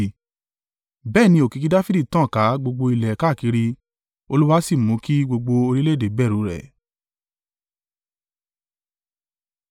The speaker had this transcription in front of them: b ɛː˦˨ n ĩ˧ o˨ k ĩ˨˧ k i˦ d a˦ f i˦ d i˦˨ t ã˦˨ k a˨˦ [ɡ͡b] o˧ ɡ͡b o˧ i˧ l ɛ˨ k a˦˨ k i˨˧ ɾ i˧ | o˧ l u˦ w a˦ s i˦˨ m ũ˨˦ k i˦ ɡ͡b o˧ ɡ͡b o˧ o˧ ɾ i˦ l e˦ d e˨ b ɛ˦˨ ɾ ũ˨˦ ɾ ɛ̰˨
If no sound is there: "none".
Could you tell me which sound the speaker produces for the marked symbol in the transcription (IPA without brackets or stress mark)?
ɡ͡b